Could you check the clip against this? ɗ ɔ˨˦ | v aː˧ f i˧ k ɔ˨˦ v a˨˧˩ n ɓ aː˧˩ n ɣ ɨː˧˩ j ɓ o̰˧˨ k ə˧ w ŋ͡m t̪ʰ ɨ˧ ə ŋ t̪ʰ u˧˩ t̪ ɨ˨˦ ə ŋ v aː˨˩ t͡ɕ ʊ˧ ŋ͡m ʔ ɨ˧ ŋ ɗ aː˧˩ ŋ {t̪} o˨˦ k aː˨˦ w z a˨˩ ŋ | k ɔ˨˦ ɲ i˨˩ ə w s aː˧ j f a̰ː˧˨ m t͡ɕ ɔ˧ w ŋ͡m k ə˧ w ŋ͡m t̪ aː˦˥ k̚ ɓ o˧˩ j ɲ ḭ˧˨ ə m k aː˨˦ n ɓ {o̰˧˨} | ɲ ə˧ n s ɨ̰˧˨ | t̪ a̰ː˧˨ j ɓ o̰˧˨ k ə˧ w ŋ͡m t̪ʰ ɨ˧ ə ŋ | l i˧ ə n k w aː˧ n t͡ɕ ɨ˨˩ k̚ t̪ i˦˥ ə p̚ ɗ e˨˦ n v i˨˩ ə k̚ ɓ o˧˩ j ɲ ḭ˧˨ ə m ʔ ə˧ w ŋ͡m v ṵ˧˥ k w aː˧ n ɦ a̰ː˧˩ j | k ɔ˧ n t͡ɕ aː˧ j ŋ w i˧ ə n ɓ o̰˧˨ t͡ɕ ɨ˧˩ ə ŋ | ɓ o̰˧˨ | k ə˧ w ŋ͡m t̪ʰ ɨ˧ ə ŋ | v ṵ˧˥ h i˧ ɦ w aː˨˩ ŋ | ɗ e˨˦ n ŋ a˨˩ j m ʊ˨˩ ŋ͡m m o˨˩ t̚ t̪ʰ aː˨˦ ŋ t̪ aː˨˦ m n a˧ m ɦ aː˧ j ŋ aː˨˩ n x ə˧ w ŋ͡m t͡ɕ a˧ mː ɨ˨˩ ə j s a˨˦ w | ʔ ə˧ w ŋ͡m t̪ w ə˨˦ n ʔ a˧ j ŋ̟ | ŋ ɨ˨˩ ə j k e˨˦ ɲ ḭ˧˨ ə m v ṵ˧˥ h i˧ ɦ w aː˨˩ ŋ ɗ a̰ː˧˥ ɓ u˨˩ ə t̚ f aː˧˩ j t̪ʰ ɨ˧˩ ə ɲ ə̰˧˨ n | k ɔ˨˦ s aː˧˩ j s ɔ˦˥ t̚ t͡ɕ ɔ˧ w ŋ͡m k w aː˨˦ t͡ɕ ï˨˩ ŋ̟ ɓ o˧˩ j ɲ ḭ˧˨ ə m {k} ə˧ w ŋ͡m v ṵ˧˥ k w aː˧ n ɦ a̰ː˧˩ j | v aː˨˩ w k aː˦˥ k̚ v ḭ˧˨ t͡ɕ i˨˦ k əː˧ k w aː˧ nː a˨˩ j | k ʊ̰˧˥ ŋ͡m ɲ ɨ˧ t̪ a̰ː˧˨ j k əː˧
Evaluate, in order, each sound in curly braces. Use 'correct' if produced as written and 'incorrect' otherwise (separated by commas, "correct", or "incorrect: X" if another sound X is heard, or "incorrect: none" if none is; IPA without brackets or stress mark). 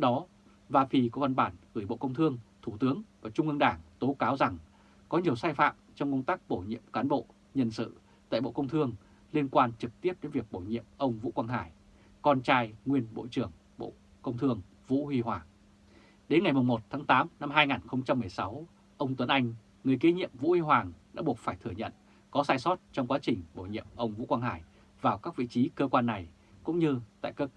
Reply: correct, correct, incorrect: ʔ